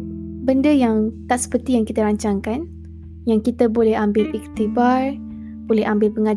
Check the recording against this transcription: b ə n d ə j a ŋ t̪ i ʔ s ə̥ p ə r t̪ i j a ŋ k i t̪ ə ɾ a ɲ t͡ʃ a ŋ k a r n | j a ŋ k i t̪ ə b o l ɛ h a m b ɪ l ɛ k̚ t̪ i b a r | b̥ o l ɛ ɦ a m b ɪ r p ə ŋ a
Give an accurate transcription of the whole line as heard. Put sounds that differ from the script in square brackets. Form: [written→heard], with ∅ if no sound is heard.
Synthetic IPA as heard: b ə n d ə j a ŋ t̪ [i→a] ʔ s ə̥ p ə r t̪ i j a ŋ k i t̪ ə ɾ a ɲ t͡ʃ a ŋ k a [r→∅] n | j a ŋ k i t̪ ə b o l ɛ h a m b ɪ l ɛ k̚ t̪ i b a r | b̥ o l ɛ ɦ a m b ɪ [r→l] p ə ŋ a